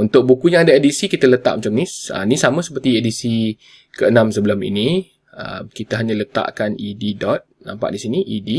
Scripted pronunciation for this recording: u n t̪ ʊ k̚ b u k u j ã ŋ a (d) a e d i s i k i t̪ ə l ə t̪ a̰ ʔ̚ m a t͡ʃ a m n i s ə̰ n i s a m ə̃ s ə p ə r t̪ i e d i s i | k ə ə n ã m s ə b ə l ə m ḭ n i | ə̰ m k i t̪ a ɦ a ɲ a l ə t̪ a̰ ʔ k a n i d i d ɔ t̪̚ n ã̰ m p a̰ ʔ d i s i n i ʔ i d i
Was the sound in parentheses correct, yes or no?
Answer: yes